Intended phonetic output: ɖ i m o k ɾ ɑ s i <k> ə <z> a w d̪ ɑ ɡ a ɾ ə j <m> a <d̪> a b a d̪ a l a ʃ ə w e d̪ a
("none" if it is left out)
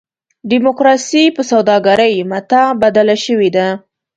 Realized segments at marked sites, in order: p, s, m, t̪

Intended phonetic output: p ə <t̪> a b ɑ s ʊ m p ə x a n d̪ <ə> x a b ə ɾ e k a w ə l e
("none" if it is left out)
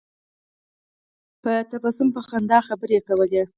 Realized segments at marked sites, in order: t̪, ɑ

